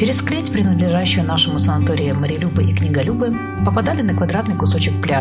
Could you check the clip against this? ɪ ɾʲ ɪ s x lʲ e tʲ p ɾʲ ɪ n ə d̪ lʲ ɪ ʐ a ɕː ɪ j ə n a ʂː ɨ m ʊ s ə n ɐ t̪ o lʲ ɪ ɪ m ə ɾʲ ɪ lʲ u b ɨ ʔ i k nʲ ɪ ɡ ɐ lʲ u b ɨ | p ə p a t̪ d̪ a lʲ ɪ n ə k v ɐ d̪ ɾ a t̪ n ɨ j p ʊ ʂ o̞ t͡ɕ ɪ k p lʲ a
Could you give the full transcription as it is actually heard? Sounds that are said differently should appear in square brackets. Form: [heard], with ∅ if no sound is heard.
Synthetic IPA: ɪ ɾʲ ɪ s [k] lʲ e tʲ p ɾʲ ɪ n ə d̪ lʲ ɪ ʐ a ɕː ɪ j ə n a [ʂ] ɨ m ʊ s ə n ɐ t̪ o [ɾʲ] ɪ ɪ m ə ɾʲ ɪ lʲ u b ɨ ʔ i k nʲ ɪ ɡ ɐ lʲ u b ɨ | p ə p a [∅] d̪ a lʲ ɪ n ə k v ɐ d̪ ɾ a t̪ n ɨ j [k] ʊ [s] o̞ t͡ɕ ɪ k p lʲ a